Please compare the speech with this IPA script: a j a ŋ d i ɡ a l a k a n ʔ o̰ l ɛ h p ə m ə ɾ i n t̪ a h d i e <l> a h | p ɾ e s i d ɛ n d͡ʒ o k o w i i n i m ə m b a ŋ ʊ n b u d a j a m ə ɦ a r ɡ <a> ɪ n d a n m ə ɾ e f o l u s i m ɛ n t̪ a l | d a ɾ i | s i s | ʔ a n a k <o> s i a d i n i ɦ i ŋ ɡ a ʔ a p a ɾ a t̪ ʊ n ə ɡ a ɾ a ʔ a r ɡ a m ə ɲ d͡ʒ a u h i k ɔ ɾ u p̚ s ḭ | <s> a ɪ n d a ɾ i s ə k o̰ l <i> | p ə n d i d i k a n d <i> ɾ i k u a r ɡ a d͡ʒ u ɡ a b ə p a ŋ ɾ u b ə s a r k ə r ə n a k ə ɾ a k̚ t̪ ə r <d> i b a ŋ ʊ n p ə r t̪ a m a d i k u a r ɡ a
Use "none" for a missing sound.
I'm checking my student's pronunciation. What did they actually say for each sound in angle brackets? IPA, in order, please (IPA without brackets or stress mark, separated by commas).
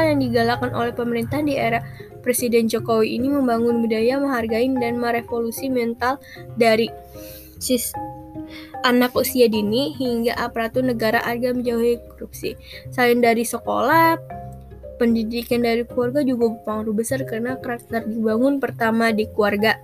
ɾ, a, u, s, a, a, d